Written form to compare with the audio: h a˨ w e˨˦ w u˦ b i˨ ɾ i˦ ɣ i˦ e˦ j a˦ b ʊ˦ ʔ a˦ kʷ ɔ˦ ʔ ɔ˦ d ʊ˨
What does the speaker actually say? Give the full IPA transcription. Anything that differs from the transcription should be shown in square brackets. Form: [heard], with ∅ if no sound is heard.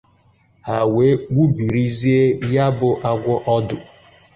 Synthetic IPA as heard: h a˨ w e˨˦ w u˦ b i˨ ɾ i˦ [z] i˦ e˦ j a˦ b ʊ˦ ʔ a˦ [ɡʷ] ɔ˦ ʔ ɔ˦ d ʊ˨